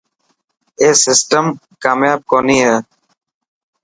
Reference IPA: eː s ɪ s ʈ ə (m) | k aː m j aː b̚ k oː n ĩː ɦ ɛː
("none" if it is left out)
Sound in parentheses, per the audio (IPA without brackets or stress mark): m